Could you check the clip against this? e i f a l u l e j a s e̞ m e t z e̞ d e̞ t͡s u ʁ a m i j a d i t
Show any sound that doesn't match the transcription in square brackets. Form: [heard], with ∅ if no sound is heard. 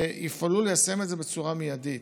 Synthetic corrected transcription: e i f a l u l e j a s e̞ m e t z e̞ [b] e̞ t͡s u ʁ a m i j a d i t